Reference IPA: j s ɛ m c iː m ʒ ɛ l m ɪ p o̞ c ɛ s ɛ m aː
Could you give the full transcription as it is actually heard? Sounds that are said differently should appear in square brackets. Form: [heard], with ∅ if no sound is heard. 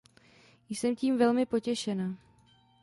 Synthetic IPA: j s ɛ m c iː m [v] ɛ l m ɪ p o̞ c ɛ [ʃ] ɛ [n] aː